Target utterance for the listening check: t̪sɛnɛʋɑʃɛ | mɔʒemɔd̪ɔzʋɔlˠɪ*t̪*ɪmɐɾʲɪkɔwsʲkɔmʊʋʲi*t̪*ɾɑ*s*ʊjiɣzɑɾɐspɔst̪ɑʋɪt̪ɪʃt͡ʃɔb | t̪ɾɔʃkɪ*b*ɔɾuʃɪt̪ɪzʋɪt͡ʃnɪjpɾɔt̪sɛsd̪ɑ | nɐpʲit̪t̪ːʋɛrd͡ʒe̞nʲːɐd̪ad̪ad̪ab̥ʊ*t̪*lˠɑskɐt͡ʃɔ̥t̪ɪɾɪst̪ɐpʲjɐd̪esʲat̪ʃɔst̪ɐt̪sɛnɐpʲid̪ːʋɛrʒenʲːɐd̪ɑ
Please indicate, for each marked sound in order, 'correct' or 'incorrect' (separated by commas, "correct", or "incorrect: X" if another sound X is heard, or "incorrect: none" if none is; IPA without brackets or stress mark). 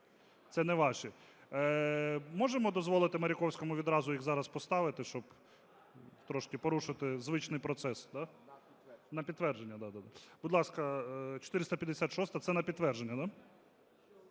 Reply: correct, incorrect: d̪, incorrect: z, incorrect: p, incorrect: d̪